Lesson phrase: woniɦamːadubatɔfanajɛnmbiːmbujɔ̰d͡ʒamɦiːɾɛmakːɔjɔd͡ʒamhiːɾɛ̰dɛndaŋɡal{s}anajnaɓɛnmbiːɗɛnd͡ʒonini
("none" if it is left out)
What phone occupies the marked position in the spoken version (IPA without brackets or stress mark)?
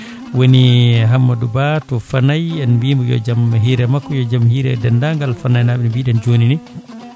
f